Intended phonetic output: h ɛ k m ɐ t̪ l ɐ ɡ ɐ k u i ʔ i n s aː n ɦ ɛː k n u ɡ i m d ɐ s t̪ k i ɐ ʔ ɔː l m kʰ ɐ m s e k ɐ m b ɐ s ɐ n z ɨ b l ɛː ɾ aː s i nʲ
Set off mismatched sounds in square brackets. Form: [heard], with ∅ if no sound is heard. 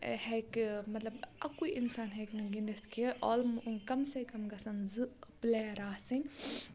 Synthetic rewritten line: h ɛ k m ɐ t̪ l ɐ [b] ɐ k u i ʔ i n s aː n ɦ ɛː k n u ɡ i [n] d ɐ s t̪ k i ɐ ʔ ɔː l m [k] ɐ m s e k ɐ m [ɡ] ɐ s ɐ n z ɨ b l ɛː ɾ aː s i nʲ